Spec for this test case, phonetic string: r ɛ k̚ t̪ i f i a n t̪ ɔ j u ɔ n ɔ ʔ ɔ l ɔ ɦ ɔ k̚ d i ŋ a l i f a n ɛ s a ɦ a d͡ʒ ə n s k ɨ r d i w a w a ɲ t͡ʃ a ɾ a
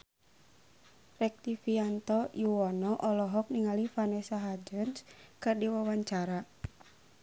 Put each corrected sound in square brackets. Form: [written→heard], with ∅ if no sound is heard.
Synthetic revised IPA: r ɛ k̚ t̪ i f i a n t̪ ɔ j u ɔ n ɔ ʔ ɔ l ɔ ɦ ɔ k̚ [d→n] i ŋ a l i f a n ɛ s a ɦ a d͡ʒ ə n s k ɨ r d i w a w a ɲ t͡ʃ a ɾ a